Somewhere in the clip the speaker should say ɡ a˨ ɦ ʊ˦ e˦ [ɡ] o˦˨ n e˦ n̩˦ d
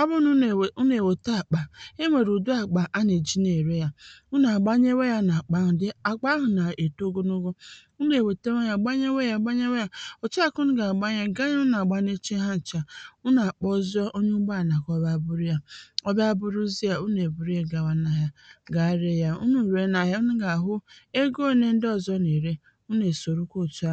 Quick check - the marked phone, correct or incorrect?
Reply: correct